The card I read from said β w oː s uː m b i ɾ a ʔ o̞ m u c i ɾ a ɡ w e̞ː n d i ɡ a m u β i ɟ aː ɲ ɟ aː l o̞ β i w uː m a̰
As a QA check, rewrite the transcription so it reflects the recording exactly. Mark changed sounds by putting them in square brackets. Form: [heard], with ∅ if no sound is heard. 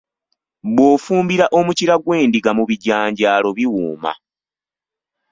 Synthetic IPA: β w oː [f] uː m b i ɾ a ʔ o̞ m u c i ɾ a ɡ w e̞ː n d i ɡ a m u β i ɟ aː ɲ ɟ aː l o̞ β i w uː m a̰